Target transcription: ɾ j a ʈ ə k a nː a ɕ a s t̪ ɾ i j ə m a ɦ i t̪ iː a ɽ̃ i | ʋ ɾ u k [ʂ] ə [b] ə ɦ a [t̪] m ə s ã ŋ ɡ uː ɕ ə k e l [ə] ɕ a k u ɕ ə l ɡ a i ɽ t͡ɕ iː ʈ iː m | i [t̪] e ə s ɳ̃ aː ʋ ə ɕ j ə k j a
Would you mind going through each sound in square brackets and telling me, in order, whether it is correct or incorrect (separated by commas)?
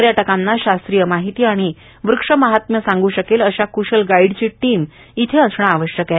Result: correct, incorrect, correct, correct, incorrect